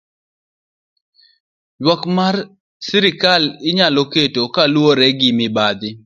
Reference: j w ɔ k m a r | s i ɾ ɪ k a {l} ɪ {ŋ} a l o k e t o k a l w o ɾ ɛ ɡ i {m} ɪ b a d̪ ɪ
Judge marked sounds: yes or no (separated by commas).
yes, no, yes